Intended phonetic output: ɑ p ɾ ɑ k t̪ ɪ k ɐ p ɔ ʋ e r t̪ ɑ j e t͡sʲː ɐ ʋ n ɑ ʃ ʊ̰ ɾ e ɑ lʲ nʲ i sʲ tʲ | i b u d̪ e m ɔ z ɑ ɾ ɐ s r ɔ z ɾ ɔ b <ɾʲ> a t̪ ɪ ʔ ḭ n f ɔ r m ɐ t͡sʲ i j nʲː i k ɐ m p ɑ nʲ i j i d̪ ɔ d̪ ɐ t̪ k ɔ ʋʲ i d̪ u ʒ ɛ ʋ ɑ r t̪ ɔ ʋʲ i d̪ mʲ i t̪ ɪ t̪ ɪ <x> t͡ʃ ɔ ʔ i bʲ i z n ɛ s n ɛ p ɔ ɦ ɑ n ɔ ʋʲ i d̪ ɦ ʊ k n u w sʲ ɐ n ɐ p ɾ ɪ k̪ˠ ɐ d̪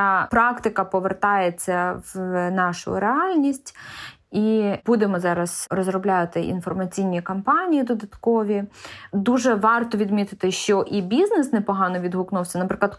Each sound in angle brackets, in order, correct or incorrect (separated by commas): incorrect, incorrect